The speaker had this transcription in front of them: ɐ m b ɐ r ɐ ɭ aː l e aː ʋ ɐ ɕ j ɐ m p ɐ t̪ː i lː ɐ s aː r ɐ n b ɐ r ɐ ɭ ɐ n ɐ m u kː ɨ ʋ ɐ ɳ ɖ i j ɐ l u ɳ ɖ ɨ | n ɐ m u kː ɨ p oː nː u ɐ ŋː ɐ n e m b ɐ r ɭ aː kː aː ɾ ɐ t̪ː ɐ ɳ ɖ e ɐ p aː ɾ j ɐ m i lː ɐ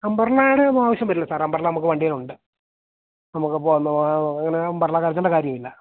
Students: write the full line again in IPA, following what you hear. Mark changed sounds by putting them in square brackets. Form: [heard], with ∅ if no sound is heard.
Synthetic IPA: ɐ m b ɐ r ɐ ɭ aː [ɽ] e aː ʋ ɐ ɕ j ɐ m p ɐ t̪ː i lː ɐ s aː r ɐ [m] b ɐ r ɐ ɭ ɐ n ɐ m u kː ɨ ʋ ɐ ɳ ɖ i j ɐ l u ɳ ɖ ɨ | n ɐ m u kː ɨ p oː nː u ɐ ŋː ɐ n e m b ɐ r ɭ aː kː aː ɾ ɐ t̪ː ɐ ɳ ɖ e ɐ [k] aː ɾ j ɐ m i lː ɐ